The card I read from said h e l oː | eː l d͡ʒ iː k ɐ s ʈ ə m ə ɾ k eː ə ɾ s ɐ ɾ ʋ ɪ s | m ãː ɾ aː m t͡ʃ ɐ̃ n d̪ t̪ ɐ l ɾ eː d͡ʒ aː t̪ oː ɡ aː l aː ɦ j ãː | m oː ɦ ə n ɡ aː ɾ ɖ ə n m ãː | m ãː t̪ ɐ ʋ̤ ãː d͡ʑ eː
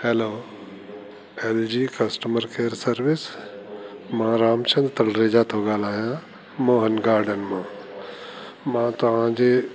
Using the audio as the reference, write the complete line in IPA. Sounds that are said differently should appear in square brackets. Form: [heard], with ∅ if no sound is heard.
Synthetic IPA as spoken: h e l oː | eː l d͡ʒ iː k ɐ s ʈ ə m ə ɾ k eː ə ɾ s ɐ ɾ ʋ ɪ s | m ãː ɾ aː m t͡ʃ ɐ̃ n d̪ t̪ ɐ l ɾ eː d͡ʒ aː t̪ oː ɡ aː l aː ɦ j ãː | m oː ɦ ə n ɡ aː ɾ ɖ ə n m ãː | m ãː t̪ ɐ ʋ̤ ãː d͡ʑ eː